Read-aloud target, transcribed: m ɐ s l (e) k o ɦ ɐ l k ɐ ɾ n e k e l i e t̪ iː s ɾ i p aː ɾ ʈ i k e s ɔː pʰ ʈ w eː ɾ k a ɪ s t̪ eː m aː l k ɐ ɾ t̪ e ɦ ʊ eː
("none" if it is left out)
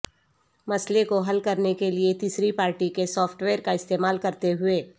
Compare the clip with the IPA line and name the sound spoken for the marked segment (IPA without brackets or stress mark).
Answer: e